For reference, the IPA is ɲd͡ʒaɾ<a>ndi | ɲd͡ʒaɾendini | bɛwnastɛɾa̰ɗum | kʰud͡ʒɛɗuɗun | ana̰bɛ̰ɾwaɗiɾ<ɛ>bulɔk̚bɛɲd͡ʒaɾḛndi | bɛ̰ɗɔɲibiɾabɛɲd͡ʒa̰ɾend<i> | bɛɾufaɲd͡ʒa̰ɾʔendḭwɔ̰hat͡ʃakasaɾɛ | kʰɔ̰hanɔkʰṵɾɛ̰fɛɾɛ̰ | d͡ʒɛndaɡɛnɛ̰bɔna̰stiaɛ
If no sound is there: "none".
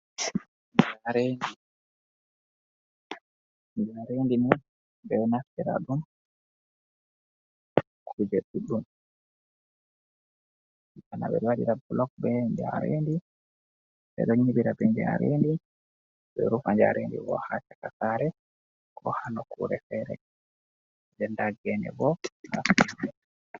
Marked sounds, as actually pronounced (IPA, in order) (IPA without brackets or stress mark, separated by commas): e, a, i